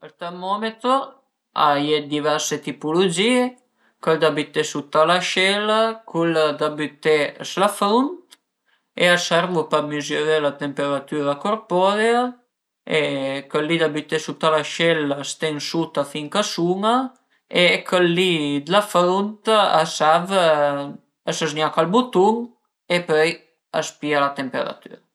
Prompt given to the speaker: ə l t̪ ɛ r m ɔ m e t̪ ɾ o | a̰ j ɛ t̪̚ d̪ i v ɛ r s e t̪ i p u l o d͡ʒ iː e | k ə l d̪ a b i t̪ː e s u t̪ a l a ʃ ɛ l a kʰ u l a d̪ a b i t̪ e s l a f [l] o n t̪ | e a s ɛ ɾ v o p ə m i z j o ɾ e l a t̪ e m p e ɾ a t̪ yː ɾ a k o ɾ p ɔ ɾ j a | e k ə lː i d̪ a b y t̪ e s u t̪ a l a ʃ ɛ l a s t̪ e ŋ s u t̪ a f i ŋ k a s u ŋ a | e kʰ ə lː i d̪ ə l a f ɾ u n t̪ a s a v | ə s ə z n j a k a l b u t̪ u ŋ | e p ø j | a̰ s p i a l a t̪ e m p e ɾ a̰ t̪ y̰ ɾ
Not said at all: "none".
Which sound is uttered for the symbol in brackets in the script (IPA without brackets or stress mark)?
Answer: ɾ